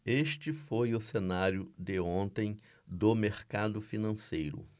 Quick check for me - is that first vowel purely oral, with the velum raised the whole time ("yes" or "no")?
yes